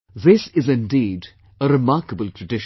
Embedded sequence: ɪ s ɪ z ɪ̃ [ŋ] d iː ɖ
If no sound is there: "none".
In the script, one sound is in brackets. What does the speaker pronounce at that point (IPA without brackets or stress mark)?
n